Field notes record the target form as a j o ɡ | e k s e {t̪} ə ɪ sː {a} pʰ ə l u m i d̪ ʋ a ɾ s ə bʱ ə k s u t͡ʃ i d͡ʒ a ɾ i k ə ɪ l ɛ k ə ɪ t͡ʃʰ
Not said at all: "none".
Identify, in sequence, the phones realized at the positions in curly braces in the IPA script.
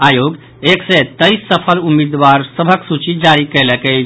t̪, ə

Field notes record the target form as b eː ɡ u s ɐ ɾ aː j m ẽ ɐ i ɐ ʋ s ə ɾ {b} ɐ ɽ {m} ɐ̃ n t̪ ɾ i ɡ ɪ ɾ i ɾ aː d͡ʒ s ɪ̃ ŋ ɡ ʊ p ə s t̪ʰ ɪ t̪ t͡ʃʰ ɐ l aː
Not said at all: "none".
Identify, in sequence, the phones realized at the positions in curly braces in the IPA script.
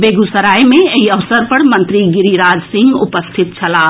p, m

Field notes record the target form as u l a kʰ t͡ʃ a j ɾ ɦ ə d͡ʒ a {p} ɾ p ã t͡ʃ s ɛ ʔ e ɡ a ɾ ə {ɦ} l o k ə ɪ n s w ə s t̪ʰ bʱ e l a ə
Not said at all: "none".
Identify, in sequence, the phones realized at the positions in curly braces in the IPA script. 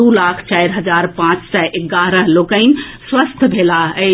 none, ɦ

